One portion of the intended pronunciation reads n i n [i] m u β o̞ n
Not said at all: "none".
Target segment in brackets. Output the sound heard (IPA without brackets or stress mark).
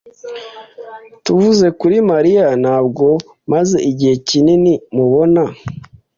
i